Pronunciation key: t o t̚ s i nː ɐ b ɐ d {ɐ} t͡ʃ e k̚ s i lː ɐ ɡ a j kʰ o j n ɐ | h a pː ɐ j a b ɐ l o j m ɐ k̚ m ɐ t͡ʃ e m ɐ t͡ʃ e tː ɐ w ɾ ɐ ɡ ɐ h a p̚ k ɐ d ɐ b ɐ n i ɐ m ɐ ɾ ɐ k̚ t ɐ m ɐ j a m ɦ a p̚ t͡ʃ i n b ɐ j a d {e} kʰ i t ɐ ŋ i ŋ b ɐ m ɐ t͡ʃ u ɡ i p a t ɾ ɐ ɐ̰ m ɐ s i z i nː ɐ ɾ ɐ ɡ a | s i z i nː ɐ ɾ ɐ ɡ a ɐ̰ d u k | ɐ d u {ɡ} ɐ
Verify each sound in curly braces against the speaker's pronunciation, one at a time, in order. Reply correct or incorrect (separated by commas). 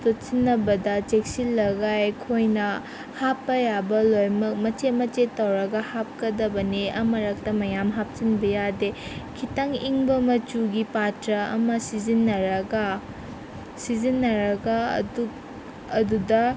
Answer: correct, correct, incorrect